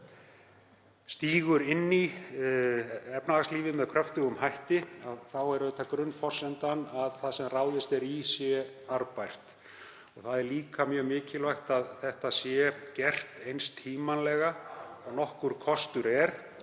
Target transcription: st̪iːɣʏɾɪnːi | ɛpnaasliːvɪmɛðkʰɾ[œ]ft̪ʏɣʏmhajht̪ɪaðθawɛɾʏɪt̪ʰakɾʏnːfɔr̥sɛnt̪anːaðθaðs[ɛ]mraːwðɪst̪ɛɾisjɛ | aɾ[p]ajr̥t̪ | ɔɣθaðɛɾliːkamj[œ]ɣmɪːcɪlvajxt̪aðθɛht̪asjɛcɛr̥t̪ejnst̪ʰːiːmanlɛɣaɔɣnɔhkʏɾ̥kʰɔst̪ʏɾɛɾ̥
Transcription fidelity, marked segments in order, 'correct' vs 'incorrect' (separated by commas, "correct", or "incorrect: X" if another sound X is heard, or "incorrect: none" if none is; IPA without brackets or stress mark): correct, correct, correct, incorrect: œː